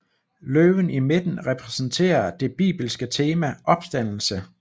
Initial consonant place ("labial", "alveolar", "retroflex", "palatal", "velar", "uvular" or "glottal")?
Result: alveolar